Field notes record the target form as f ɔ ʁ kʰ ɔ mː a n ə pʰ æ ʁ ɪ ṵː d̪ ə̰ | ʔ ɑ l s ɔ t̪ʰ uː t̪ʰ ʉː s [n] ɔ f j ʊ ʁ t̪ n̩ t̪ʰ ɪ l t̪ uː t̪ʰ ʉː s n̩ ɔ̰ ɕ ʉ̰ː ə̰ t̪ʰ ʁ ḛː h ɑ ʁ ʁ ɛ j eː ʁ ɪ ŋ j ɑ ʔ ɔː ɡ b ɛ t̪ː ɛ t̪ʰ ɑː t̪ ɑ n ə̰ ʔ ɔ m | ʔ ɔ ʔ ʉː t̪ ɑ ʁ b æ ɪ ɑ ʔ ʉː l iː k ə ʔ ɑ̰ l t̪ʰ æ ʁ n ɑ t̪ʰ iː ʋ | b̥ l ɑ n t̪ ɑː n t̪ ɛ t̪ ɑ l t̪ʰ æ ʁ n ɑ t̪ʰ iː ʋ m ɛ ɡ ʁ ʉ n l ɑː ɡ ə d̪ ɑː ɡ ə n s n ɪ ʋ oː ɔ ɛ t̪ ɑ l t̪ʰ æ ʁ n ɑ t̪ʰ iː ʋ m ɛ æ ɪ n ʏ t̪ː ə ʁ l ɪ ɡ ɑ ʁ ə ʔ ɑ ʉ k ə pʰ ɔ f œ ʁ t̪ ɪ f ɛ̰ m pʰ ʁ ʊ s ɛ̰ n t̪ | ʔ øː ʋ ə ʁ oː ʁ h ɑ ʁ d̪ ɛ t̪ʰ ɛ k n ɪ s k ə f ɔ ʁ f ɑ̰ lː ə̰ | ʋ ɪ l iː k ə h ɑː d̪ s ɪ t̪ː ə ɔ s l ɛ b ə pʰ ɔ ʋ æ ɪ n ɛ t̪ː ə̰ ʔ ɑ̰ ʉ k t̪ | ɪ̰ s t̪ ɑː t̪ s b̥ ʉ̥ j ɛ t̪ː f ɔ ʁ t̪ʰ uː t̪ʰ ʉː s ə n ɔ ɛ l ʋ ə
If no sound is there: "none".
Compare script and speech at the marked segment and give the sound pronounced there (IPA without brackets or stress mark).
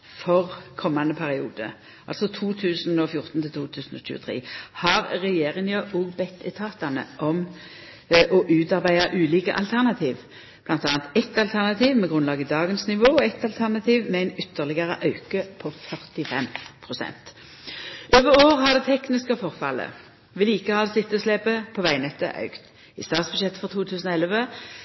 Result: n